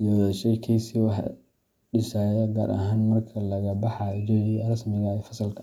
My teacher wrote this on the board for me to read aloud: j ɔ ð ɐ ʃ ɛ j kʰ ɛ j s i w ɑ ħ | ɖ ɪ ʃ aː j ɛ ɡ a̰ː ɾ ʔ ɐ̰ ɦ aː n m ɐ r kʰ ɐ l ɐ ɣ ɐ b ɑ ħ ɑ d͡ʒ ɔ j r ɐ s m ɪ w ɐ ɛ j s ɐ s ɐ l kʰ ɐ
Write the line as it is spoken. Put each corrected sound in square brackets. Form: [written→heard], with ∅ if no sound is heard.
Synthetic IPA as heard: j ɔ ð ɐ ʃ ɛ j kʰ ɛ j s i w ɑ ħ | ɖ ɪ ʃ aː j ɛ ɡ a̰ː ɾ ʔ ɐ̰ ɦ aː n m ɐ r kʰ ɐ l ɐ ɣ ɐ b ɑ ħ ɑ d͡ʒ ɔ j r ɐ s m ɪ [w→ɣ] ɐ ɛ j [s→f] ɐ s ɐ l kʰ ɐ